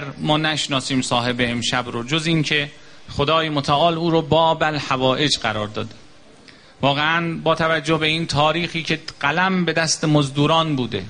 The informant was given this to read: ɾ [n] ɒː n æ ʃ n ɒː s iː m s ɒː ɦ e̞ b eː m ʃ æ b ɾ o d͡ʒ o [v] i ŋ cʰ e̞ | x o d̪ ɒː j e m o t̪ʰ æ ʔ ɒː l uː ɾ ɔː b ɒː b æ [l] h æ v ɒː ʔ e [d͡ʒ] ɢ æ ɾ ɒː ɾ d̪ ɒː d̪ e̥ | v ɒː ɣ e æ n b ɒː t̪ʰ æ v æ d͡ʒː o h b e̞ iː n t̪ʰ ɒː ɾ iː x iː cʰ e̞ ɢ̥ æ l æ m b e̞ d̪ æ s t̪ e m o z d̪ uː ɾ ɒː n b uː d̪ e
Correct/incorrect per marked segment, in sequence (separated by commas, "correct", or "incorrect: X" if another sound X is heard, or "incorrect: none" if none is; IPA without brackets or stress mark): incorrect: m, incorrect: z, correct, correct